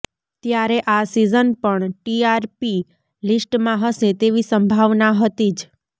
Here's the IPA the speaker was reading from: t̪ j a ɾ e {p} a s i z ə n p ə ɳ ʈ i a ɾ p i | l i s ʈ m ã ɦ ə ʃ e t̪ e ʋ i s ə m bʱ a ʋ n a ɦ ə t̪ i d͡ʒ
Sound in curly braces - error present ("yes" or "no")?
yes